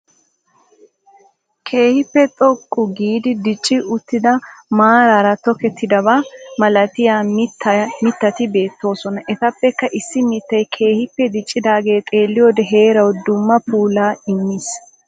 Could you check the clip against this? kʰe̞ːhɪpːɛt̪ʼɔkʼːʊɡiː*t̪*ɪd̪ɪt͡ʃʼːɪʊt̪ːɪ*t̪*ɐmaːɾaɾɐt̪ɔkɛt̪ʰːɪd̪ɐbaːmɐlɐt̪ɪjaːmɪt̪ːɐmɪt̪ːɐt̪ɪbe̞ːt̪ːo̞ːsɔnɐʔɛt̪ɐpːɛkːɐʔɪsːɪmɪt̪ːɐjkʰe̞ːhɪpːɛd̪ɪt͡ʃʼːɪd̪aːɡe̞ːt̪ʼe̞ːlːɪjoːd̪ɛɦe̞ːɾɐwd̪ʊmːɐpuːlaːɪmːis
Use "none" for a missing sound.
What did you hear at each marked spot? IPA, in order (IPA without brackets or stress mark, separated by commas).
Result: d̪, d̪